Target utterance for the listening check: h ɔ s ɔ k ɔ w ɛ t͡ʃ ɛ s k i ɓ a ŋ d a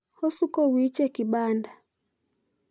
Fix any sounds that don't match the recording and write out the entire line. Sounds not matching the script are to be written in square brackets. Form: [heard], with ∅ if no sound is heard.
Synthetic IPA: h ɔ s [u] k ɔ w [i] t͡ʃ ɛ [∅] k i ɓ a [n] d a